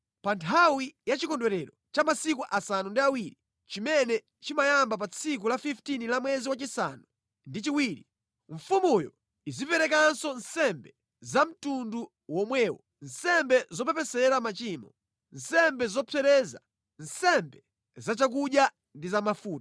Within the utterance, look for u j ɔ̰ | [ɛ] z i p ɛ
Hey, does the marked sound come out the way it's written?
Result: no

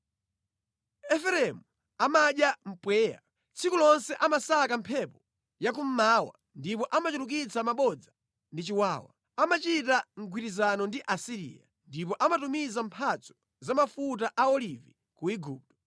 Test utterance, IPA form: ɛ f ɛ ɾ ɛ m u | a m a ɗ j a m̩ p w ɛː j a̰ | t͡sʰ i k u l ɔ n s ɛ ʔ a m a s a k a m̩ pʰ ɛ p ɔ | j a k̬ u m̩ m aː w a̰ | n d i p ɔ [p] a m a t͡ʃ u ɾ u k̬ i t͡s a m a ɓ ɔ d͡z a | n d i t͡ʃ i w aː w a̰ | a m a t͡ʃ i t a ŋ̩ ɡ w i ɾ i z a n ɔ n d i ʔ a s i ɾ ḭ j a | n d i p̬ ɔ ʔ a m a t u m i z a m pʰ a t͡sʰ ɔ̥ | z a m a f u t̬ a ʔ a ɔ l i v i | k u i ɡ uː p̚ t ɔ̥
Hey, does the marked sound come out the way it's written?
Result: no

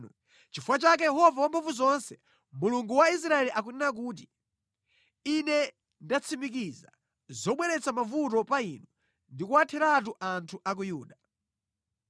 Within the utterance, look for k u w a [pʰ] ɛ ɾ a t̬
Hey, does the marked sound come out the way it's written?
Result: no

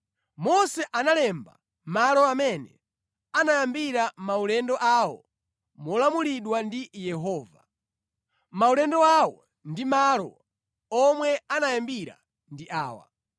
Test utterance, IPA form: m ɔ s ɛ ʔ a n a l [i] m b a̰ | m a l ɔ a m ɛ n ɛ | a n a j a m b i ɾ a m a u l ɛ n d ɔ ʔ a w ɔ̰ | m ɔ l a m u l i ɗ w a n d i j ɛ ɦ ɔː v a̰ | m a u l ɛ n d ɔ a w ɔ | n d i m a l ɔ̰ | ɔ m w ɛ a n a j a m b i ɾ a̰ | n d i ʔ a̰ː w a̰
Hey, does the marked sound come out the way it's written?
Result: no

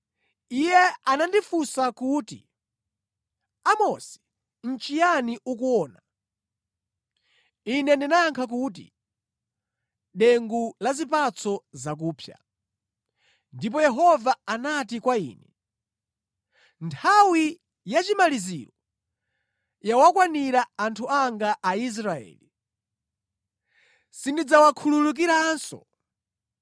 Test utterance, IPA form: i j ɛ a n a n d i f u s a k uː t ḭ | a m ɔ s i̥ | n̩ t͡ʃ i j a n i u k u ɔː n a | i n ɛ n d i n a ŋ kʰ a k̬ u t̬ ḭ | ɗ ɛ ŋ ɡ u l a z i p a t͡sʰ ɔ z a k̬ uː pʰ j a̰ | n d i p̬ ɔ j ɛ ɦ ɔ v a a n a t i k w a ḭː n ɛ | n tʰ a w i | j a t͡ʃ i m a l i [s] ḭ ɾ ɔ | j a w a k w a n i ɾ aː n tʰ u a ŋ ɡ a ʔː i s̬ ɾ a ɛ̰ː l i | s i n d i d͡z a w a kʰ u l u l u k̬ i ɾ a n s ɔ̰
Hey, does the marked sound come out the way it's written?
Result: no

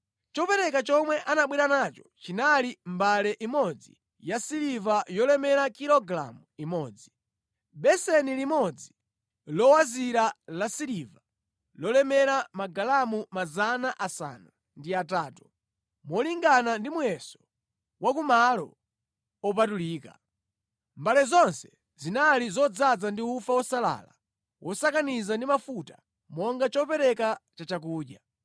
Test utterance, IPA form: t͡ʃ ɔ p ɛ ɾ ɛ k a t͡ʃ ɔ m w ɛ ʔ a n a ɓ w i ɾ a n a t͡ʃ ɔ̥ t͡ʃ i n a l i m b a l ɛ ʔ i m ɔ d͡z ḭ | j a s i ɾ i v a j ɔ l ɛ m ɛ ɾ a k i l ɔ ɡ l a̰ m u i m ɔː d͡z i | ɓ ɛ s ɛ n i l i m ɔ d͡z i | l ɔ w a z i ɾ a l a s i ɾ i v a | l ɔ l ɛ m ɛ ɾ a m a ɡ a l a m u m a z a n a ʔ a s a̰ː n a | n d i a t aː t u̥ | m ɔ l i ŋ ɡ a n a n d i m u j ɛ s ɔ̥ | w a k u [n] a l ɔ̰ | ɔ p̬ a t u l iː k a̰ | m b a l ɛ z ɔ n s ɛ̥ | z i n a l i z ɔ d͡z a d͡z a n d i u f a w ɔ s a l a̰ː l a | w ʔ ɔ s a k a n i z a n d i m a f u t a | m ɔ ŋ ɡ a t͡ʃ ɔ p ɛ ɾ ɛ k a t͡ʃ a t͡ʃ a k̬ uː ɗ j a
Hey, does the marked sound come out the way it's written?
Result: no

